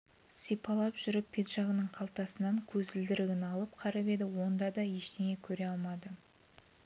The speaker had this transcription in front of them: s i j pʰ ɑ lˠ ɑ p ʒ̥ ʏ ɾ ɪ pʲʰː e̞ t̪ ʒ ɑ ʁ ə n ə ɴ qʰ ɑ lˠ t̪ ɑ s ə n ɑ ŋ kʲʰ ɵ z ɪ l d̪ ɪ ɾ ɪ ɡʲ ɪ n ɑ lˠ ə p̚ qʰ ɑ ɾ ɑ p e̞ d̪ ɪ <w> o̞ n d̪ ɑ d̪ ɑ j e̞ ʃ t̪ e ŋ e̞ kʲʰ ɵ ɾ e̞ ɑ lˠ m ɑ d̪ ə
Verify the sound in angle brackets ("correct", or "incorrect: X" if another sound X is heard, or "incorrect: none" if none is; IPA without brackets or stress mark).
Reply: correct